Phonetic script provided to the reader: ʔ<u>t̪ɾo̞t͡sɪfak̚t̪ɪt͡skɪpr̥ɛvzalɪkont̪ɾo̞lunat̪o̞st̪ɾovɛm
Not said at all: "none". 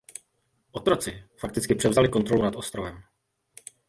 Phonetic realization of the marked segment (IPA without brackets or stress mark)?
o